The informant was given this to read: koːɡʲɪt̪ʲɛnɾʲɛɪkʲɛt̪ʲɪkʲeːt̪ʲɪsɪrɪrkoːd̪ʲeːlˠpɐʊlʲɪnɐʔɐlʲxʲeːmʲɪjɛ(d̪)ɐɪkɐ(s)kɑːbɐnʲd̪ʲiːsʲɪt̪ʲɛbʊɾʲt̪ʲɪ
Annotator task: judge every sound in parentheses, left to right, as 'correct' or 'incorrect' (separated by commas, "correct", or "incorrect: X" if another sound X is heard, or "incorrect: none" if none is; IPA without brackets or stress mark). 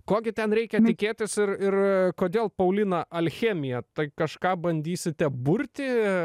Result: incorrect: t̪, incorrect: ʃ